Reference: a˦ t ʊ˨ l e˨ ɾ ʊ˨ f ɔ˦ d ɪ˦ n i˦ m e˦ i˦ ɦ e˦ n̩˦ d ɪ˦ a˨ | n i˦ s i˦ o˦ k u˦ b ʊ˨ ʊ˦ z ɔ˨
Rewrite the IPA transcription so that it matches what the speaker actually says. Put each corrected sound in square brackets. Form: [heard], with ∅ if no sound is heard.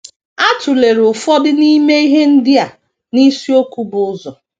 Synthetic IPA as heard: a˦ t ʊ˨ l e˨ ɾ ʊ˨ f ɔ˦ d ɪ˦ n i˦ m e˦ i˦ ɦ e˦ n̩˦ d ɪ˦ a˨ | n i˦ s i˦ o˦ k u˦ b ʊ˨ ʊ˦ z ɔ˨